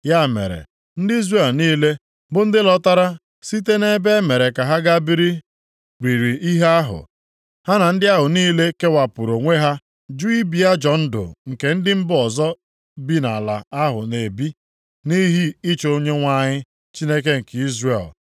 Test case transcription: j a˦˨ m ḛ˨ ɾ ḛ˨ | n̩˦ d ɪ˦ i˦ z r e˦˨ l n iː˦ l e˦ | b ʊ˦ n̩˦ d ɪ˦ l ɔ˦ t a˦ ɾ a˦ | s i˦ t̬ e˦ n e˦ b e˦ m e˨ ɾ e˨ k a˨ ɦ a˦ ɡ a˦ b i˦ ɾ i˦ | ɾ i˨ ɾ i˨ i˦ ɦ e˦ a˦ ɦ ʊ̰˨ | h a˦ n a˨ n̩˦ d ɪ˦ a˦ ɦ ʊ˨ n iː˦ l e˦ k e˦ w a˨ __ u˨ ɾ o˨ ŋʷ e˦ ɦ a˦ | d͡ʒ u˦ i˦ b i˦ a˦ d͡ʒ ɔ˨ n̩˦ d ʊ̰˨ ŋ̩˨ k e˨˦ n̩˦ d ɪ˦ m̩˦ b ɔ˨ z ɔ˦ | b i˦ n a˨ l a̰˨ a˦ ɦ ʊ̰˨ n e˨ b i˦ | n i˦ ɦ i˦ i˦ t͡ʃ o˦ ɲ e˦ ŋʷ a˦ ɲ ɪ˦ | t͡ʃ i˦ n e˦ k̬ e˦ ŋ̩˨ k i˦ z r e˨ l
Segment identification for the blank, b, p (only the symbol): p